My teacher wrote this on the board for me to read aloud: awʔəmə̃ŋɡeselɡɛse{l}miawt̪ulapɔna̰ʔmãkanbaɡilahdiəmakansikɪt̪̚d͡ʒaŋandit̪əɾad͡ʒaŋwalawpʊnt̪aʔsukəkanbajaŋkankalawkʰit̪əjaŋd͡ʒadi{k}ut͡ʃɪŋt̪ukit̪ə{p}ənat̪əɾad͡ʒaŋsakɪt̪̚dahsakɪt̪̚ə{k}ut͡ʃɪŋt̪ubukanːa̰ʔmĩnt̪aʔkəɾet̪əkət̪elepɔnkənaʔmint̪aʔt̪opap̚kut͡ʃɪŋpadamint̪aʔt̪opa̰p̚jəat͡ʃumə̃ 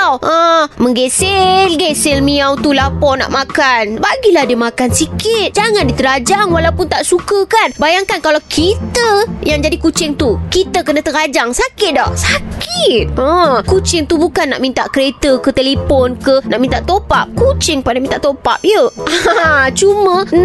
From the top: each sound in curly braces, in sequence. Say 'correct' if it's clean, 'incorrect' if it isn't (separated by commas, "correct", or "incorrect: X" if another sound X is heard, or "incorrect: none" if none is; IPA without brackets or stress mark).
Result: correct, correct, incorrect: k, correct